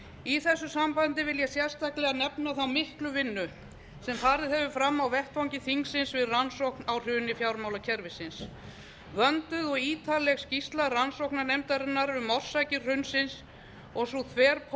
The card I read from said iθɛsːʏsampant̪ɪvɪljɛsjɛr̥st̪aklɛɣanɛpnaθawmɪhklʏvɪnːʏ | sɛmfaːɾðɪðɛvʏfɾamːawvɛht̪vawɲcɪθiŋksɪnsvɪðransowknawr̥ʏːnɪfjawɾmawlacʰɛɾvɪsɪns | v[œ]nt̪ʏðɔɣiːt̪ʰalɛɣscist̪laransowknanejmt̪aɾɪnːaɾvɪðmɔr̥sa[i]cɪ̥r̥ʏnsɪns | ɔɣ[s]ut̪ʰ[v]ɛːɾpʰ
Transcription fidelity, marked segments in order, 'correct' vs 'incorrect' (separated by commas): correct, incorrect, correct, correct